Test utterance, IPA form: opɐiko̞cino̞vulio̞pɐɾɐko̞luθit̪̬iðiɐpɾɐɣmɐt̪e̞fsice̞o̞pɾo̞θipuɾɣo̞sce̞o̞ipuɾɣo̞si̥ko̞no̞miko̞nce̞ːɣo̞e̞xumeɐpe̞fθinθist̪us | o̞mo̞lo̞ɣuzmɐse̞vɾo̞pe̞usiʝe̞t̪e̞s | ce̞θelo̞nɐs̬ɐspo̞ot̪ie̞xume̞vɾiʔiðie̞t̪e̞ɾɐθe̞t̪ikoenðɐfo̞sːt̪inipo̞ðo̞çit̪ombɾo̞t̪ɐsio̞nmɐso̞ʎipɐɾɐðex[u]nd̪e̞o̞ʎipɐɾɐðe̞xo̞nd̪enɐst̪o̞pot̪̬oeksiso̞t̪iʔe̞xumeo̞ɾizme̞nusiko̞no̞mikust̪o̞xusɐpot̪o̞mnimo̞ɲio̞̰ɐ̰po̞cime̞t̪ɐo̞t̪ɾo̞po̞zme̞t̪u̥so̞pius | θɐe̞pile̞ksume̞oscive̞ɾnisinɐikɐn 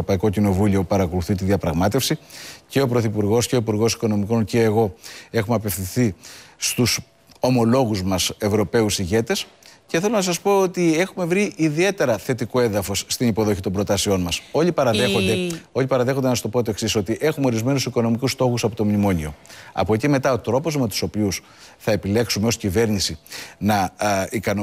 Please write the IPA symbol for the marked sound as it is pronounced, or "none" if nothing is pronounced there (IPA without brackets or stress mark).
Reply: o